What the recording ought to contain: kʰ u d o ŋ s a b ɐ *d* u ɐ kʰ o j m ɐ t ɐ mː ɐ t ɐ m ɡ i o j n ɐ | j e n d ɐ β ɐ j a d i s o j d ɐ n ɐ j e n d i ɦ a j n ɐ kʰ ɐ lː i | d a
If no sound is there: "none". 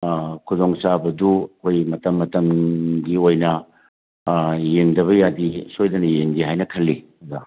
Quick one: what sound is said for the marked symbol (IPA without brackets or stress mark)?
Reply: d